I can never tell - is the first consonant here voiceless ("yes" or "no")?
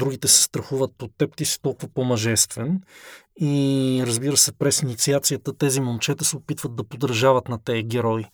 no